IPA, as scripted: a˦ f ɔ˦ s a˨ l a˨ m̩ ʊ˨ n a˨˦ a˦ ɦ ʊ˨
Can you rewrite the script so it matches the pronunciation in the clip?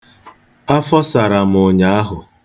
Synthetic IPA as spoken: a˦ f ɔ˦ s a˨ ɾ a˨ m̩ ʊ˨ ɲ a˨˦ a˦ ɦ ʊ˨